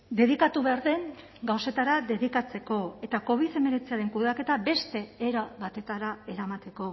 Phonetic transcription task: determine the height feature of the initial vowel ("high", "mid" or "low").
mid